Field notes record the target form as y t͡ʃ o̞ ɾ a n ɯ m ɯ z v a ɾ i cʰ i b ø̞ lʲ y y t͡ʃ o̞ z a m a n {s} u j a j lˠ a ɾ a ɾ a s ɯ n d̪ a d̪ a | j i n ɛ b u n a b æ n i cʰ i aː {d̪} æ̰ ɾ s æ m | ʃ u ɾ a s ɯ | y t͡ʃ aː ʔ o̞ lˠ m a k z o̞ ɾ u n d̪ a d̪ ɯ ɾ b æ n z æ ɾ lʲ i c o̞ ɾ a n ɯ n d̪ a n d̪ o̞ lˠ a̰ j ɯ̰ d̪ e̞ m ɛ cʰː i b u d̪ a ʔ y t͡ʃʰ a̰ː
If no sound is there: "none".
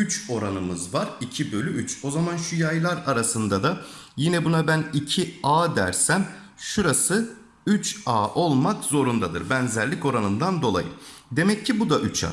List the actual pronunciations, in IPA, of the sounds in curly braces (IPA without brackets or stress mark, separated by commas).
ʃ, d̪